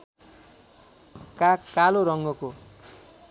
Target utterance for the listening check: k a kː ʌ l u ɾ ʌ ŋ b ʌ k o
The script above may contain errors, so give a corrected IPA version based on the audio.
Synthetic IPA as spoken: k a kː a l o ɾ ʌ ŋ ɡ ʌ k o